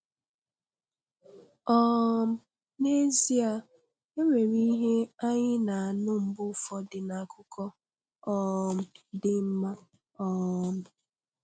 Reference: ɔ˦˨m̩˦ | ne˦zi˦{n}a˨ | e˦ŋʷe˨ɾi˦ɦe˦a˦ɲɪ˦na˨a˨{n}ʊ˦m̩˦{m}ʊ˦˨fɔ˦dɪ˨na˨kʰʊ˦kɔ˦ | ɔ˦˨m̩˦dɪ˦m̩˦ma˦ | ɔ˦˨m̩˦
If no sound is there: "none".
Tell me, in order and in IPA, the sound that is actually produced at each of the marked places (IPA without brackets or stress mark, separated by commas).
none, n, b